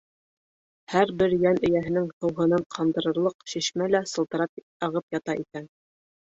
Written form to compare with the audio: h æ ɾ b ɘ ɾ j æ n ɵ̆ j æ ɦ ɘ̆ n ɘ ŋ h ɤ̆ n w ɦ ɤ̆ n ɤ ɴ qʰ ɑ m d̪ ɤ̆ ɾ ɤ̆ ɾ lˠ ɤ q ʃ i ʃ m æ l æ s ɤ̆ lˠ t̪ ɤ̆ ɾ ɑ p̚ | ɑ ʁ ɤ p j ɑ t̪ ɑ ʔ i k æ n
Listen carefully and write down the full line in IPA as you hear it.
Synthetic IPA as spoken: h æ ɾ b ɘ ɾ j æ n ɵ̆ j æ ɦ ɘ̆ n ɘ ŋ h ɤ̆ w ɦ ɤ̆ n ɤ ɴ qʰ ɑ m d̪ ɤ̆ ɾ ɤ̆ ɾ lˠ ɤ q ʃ i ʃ m æ l æ s ɤ̆ lˠ t̪ ɤ̆ ɾ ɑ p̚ | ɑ ʁ ɤ p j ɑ t̪ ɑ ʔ i k æ n